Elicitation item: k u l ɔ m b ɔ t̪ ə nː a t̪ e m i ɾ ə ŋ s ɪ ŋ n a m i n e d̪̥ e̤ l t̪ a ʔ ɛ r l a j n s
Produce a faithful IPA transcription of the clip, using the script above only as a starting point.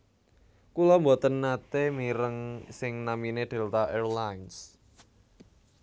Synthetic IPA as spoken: k u l ɔ m b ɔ t̪ ə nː a t̪ e m i ɾ ə ŋ s ɪ ŋ n a m i n e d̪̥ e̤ l t̪ a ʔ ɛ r l a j n s